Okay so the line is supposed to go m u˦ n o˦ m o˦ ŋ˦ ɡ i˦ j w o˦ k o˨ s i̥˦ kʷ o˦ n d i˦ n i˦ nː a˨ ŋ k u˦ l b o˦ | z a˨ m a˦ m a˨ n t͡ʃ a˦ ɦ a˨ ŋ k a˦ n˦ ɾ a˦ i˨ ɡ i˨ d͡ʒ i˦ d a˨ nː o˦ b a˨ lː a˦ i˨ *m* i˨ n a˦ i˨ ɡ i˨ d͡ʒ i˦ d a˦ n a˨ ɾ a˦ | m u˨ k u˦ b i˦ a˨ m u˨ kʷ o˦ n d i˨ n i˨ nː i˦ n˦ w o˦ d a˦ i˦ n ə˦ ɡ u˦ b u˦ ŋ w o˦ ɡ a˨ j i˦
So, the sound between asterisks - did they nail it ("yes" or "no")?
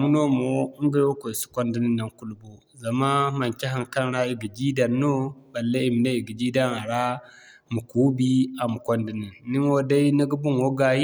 yes